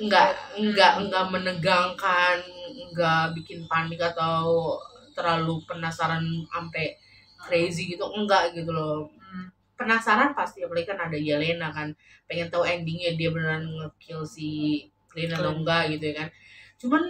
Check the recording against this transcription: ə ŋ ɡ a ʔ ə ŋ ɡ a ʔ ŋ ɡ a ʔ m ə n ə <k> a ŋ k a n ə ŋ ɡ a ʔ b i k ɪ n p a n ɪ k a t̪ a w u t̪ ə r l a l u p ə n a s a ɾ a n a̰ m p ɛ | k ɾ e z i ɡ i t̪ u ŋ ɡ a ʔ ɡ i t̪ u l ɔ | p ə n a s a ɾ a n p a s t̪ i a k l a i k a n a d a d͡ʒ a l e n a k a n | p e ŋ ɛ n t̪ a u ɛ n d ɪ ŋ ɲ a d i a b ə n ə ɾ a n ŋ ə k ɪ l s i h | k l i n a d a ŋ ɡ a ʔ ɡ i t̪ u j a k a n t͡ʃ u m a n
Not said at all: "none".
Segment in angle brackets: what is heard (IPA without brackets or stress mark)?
ɡ